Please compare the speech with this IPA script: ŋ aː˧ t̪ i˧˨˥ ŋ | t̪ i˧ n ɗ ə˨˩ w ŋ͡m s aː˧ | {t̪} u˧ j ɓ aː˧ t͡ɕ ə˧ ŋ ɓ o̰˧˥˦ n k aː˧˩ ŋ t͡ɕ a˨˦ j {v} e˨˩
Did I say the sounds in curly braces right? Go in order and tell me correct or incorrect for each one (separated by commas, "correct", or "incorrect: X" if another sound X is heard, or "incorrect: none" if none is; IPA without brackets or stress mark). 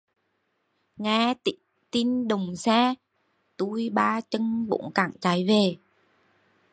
correct, correct